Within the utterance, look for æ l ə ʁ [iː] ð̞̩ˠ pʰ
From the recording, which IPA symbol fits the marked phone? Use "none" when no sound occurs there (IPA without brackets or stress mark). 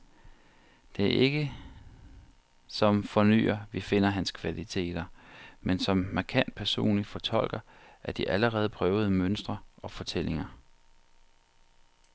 ɛː